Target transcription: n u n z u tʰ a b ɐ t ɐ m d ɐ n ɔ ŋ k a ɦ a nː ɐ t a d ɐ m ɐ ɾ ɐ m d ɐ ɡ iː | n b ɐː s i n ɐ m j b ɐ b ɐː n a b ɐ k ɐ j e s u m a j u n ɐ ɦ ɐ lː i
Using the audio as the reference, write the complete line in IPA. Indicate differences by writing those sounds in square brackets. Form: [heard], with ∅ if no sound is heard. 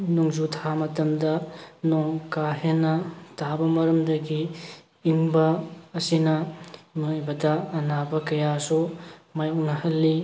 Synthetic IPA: n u [ŋ] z u tʰ a [m] ɐ t ɐ m d ɐ n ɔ ŋ k a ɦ [e] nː ɐ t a [b] ɐ m ɐ ɾ ɐ m d ɐ ɡ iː | [ŋ] b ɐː s i n ɐ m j b ɐ [d] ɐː n a b ɐ k ɐ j [a] s u m a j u n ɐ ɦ ɐ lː i